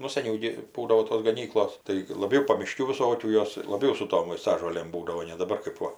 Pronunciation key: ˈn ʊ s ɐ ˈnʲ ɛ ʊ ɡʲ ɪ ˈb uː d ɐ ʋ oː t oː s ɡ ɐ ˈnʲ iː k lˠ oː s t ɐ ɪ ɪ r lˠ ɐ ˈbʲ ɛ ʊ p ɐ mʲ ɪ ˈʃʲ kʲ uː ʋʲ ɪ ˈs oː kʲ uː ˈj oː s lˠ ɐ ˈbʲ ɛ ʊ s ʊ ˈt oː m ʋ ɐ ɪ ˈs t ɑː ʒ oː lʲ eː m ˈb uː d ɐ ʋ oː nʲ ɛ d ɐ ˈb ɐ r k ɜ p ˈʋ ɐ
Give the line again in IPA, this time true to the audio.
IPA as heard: ˈn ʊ s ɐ ˈnʲ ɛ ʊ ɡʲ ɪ ˈb uː d ɐ ʋ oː t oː s ɡ ɐ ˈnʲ iː k lˠ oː s t ɐ ɪ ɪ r lˠ ɐ ˈbʲ ɛ ʊ p ɐ mʲ ɪ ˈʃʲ kʲ uː ʋʲ ɪ ˈs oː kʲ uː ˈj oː s lˠ ɐ ˈbʲ ɛ ʊ s ʊ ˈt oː m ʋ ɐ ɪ ˈs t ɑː ʒ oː lʲ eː m ˈb uː d ɐ ʋ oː nʲ ɛ d ɐ ˈb ɐ r k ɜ p ˈʋ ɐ